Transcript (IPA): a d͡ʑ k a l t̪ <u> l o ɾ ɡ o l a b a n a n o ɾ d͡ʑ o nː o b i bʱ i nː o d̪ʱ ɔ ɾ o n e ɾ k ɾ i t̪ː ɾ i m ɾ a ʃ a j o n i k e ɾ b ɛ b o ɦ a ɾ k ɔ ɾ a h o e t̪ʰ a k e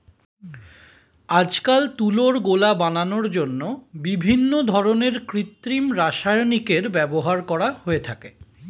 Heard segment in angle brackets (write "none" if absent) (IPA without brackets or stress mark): u